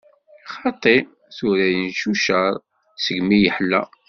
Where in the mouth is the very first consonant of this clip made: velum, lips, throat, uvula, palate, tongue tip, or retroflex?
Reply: uvula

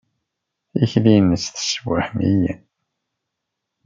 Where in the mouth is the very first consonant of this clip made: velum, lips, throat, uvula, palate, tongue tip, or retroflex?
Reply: palate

